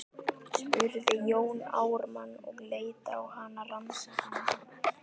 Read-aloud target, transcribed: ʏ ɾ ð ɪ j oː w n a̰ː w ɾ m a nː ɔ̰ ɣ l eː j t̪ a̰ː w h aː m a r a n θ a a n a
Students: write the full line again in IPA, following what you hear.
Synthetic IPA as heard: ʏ ɾ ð ɪ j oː w n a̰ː w ɾ m a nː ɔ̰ ɣ l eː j t̪ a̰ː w h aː n a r a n s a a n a